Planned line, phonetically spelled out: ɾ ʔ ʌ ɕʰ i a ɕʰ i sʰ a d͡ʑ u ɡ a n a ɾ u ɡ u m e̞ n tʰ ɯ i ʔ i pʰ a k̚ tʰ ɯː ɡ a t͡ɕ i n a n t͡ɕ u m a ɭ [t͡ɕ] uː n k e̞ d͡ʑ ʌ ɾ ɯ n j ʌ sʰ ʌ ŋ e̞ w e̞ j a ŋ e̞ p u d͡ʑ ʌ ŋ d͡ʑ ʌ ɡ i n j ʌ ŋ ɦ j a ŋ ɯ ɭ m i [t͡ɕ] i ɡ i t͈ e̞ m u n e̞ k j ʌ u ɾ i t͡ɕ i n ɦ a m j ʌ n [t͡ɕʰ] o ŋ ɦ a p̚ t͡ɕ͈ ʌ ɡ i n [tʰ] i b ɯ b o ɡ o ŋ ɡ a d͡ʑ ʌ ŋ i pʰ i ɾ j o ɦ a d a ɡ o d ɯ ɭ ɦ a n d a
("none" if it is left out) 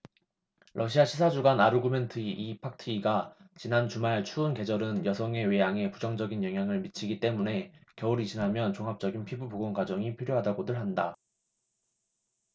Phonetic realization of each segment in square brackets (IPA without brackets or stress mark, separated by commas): t͡ɕʰ, t͡ɕʰ, t͡ɕ, pʰ